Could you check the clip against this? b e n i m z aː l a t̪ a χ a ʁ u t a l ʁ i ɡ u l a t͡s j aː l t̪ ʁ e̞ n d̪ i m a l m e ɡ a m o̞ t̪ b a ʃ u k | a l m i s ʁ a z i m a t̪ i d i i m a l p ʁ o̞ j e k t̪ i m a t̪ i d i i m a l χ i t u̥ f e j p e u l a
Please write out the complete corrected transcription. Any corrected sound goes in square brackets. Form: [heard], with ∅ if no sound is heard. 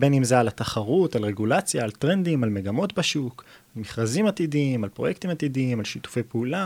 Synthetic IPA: b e n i m z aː l a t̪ a χ a ʁ u t a l ʁ [e] ɡ u l a t͡s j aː l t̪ ʁ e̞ n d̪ i m a l m e ɡ a m o̞ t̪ b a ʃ u k | a l m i [χ] ʁ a z i m a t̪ i d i i m a l p ʁ o̞ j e k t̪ i m a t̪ i d i i m a l [ʃ] i t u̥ f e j p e u l a